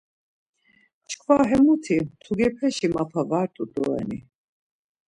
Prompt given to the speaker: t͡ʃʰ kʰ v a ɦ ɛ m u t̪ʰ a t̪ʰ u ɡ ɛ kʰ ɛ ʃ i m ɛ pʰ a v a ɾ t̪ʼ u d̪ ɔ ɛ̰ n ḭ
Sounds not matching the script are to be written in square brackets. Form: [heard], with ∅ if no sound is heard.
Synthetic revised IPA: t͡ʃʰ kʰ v a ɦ ɛ m u t̪ʰ [i] t̪ʰ u ɡ ɛ [pʰ] ɛ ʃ i m [a] pʰ a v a ɾ t̪ʼ u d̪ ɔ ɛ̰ n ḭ